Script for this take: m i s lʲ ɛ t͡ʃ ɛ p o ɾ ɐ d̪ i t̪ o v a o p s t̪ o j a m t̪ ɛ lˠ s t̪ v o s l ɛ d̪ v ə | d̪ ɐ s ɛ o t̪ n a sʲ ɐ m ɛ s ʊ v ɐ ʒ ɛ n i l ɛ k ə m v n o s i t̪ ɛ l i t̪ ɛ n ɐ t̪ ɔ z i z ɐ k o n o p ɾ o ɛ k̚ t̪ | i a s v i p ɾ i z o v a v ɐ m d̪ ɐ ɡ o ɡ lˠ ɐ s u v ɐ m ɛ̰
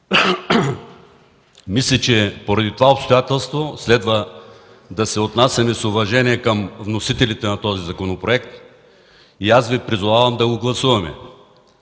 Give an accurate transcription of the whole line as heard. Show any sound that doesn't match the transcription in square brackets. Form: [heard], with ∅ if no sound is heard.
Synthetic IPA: m i s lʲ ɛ t͡ʃ ɛ p o ɾ ɐ d̪ i t̪ o v a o p s t̪ o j a [∅] t̪ ɛ lˠ s t̪ v o s l ɛ d̪ v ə | d̪ ɐ s ɛ o t̪ n a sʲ ɐ m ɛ s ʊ v ɐ ʒ ɛ n i [∅] ɛ k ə m v n o s i t̪ ɛ l i t̪ ɛ n ɐ t̪ ɔ z i z ɐ k o n o p ɾ o ɛ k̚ t̪ | i a s v i p ɾ i z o v a v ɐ m d̪ ɐ ɡ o ɡ lˠ ɐ s u v ɐ m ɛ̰